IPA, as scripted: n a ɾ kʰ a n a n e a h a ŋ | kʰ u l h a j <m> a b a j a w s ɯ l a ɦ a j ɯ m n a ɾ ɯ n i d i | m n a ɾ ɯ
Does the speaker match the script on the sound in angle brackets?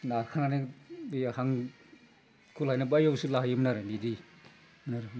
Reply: no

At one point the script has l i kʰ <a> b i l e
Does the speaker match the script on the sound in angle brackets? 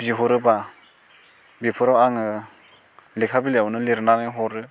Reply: yes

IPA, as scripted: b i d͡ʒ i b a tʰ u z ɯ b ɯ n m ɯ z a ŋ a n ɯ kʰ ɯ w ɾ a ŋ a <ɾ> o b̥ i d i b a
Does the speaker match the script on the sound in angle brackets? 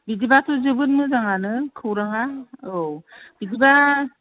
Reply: no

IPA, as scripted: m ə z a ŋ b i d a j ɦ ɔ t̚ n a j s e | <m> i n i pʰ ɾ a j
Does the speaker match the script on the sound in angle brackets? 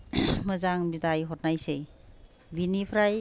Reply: no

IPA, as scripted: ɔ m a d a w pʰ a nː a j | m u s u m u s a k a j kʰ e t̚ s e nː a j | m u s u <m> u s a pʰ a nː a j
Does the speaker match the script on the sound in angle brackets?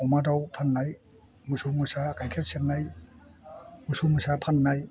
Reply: yes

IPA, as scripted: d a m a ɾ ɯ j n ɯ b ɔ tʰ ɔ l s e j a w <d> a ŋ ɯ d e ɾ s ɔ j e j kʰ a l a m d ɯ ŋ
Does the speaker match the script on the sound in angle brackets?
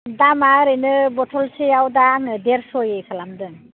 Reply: yes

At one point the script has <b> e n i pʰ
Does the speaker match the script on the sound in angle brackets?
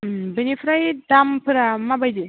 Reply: yes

